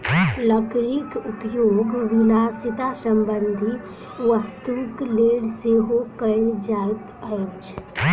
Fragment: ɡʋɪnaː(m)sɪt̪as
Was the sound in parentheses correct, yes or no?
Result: no